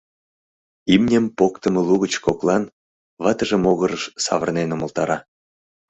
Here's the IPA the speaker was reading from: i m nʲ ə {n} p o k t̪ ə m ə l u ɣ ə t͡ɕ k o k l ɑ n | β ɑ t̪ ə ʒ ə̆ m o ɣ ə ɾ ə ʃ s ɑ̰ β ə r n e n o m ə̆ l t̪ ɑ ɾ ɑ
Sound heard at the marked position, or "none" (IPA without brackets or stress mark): m